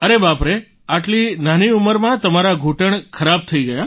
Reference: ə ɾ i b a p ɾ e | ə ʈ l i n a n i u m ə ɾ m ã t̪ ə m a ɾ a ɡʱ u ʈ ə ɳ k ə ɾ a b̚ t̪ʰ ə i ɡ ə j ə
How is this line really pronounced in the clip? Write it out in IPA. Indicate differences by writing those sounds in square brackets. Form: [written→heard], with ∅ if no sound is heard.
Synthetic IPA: ə ɾ [i→e] b a p ɾ e | [ə→a] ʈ l i n a n i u m ə ɾ m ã t̪ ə m a ɾ a ɡʱ u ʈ ə ɳ [k→kʰ] ə ɾ a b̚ t̪ʰ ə i ɡ ə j [ə→a]

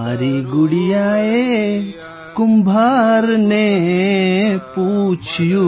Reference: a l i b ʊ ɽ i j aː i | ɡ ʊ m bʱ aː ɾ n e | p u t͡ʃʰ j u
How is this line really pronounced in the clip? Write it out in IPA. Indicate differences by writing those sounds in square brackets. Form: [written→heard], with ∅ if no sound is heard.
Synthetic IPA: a [l→ɾ] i [b→ɡ] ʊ ɽ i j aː [i→e] | [ɡ→k] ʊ m bʱ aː ɾ n e | p u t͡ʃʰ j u

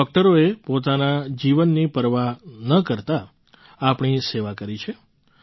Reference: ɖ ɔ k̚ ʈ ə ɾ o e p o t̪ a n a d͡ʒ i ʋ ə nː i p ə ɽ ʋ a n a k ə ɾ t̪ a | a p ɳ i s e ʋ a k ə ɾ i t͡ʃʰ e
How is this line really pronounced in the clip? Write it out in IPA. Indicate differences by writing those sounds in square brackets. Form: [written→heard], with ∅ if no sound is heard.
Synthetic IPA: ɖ ɔ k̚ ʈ ə ɾ o e p o t̪ a n a d͡ʒ i ʋ ə nː i p ə [ɽ→ɾ] ʋ a n [a→ə] k ə ɾ t̪ a | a p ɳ i s e ʋ a k ə ɾ i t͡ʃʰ e

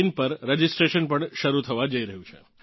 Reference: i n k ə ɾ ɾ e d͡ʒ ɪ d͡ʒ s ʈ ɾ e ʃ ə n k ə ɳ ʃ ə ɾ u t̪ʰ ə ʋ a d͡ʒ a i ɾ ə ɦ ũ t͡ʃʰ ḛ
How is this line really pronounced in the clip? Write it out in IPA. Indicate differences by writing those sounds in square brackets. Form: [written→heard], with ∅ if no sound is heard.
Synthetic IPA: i n [k→p] ə ɾ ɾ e d͡ʒ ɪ [d͡ʒ→∅] s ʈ ɾ e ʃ ə n [k→p] ə ɳ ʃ ə ɾ u t̪ʰ ə ʋ a d͡ʒ [a→ə] i ɾ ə ɦ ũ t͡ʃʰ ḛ

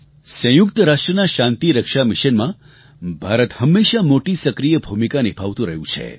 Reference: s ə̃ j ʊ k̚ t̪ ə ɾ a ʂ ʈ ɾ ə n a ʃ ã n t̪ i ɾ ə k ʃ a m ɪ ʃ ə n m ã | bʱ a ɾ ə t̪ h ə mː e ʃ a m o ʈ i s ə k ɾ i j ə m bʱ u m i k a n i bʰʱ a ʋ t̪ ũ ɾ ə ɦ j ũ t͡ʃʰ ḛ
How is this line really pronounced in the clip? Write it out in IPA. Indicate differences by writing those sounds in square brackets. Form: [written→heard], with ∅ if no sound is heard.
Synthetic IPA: s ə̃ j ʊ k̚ t̪ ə ɾ a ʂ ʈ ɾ ə n a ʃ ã n t̪ i ɾ ə k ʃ a m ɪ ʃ ə n m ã | bʱ a ɾ ə t̪ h ə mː e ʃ a m o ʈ i s ə k ɾ i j ə [m→∅] bʱ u m i k a n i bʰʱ a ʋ t̪ ũ ɾ ə ɦ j ũ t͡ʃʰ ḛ

